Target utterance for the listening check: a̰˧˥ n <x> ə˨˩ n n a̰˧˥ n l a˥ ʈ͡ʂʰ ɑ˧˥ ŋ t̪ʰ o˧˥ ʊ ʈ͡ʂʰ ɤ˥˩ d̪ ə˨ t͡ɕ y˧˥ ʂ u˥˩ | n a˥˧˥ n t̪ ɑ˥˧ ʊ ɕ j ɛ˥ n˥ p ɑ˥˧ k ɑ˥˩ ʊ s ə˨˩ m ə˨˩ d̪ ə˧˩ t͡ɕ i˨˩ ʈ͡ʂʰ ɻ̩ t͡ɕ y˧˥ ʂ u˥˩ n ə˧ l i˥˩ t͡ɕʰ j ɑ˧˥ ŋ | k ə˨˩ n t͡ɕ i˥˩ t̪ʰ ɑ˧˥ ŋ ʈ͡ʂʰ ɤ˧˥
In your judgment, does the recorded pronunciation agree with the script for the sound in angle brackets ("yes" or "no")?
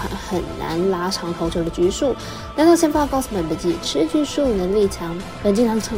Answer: yes